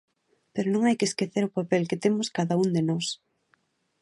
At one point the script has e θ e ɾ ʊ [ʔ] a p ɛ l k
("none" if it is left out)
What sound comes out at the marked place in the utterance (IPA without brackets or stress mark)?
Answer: p